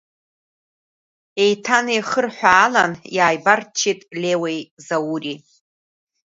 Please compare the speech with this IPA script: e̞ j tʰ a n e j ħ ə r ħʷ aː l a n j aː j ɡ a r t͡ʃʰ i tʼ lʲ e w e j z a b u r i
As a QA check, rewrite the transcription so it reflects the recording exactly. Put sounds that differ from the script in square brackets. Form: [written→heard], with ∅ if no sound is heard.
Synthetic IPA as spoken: e̞ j tʰ a n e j [ħ→χ] ə r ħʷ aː l a n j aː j [ɡ→b] a r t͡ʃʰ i tʼ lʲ e w e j z a [b→w] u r i